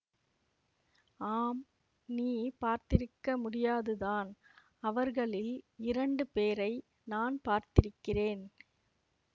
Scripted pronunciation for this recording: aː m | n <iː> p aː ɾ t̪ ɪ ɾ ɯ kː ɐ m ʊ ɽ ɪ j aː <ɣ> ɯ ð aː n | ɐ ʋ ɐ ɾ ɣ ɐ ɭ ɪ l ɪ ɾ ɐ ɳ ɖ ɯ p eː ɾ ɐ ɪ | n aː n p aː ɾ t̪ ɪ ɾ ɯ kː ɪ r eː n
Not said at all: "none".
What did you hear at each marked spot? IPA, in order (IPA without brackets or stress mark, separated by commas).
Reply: iː, ð